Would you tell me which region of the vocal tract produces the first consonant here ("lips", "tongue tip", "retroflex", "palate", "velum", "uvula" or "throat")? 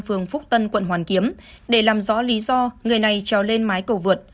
lips